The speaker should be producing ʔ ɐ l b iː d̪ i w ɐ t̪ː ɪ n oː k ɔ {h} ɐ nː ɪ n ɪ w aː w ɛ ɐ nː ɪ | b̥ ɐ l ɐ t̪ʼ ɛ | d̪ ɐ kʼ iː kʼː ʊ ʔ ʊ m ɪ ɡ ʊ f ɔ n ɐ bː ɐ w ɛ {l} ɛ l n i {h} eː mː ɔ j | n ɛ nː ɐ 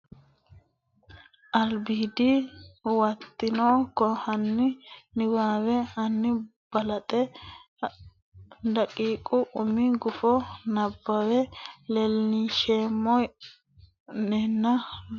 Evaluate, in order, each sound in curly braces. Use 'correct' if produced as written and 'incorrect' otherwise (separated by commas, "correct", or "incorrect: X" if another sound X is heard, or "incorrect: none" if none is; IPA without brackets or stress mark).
correct, correct, incorrect: ʃ